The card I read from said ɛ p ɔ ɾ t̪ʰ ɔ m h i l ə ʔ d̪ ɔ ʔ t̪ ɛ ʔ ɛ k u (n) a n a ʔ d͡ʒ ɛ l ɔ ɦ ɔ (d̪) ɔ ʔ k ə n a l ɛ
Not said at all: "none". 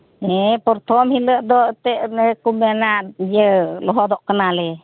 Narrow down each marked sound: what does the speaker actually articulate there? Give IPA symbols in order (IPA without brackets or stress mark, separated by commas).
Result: m, d̪